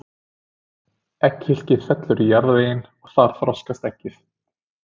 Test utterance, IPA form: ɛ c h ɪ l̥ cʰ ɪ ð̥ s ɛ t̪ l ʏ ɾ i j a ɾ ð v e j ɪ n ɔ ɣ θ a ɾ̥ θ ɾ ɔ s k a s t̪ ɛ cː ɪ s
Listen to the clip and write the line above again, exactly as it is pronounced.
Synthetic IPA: ɛ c h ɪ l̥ c ɪ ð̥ f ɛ t̪ l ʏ ɾ i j a ɾ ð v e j ɪ n ɔ ɣ θ a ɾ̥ θ ɾ ɔ s k a s t̪ ɛ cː ɪ θ